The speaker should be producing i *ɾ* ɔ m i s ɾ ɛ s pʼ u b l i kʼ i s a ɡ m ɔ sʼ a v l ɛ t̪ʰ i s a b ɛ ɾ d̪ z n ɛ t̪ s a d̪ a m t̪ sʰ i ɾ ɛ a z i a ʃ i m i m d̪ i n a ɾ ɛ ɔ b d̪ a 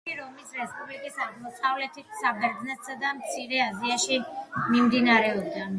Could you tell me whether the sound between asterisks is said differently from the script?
no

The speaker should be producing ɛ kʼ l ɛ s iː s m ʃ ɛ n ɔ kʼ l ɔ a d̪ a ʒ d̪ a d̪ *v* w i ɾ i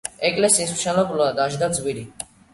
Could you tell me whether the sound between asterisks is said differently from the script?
yes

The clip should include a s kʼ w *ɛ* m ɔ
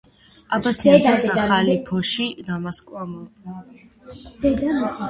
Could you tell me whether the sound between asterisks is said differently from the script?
yes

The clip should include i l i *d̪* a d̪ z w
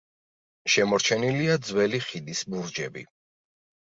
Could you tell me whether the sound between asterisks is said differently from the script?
yes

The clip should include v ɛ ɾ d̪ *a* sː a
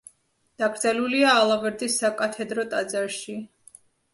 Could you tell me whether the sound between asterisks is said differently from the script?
yes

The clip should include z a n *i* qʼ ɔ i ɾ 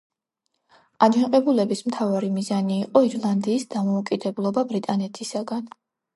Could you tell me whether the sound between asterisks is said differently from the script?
yes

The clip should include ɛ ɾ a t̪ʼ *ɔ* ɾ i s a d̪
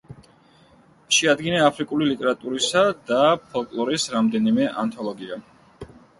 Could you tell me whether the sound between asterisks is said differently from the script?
yes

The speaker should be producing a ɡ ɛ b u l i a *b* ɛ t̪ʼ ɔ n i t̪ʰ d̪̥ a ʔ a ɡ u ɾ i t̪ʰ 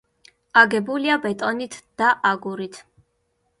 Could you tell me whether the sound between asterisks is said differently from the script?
no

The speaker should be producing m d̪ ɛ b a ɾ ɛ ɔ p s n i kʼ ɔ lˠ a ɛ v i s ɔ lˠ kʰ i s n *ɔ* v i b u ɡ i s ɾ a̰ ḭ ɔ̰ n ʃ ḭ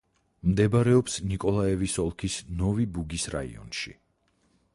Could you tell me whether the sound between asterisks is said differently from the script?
no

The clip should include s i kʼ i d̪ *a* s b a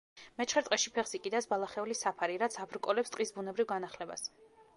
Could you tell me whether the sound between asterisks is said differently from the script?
no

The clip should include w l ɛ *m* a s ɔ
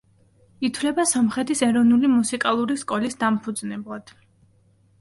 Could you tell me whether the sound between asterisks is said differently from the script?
yes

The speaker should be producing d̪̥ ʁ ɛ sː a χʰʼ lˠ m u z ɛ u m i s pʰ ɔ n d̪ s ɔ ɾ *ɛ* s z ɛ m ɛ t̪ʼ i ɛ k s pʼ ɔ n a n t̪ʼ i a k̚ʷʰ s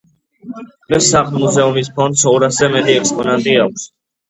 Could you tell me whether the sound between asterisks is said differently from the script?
yes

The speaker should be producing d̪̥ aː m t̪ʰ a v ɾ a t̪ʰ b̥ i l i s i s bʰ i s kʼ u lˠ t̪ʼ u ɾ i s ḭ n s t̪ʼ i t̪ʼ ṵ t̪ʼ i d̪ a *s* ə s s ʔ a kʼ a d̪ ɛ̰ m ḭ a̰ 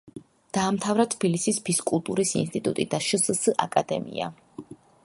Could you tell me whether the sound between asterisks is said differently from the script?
yes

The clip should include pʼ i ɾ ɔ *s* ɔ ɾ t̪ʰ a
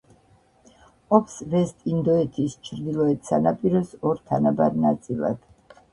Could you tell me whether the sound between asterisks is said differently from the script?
no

